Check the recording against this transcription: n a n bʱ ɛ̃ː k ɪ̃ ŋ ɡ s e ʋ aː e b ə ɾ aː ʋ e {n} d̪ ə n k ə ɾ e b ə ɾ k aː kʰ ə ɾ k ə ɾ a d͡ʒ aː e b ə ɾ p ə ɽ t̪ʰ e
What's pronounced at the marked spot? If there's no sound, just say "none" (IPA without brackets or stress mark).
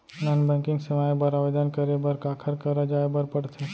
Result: none